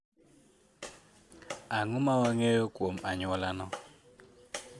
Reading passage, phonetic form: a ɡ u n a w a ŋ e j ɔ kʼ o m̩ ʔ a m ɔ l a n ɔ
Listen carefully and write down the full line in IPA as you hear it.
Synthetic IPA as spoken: a ŋ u m a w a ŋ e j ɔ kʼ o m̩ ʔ a ɲ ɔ l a n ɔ